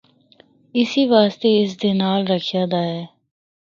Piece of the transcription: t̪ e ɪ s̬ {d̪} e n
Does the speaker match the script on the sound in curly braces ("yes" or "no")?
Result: yes